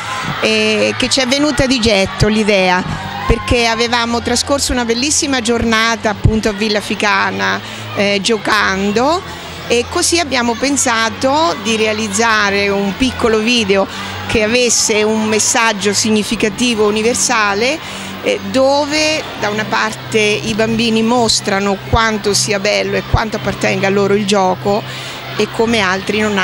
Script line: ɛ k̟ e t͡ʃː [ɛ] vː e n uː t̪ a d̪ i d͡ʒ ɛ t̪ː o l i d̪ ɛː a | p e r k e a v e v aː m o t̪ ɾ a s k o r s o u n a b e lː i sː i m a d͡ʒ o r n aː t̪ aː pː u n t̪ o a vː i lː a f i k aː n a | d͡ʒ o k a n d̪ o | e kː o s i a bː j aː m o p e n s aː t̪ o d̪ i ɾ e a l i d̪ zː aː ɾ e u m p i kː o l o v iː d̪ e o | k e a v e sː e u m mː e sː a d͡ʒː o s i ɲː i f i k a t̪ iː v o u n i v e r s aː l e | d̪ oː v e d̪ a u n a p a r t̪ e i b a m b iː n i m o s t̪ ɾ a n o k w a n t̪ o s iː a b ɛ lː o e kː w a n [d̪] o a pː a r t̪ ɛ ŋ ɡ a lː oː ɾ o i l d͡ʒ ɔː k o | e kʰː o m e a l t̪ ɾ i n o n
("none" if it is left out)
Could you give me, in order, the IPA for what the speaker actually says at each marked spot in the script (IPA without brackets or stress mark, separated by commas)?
ɛ, t̪